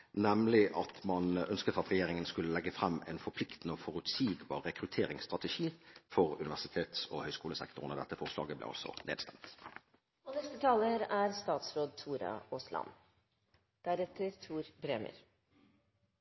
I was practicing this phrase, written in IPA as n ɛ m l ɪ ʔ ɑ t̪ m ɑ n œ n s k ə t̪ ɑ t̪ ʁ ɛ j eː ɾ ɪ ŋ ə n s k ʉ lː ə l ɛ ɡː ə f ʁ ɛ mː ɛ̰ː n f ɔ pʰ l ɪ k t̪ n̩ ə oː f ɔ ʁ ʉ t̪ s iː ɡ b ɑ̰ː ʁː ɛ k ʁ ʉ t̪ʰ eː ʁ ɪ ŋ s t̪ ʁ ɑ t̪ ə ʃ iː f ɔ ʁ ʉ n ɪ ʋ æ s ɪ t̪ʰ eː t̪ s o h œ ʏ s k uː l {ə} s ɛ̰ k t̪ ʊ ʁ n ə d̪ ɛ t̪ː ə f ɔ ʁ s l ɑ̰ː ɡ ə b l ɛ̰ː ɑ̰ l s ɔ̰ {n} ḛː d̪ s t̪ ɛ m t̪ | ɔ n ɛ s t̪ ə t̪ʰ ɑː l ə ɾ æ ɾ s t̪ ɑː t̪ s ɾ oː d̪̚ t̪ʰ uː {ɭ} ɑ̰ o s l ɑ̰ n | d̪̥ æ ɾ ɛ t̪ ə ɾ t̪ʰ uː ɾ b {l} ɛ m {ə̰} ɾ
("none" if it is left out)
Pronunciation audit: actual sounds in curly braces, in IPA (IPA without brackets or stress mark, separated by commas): ə, n, ɾ, ɾ, ə̰